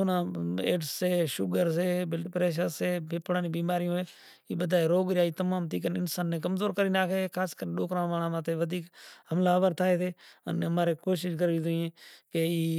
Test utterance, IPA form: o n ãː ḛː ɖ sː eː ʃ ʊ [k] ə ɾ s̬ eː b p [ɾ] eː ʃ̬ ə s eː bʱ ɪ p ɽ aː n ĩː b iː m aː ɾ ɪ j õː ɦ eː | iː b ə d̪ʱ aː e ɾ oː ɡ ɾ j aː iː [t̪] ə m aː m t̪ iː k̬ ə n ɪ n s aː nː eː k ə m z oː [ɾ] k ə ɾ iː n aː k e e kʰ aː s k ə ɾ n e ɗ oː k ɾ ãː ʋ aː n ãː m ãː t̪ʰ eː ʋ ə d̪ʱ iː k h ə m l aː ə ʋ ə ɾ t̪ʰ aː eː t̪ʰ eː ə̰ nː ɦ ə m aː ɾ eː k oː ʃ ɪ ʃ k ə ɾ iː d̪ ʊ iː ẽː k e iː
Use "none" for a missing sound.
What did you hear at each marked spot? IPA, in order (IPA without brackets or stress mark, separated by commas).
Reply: ɡ, ɾ, t̪, ɾ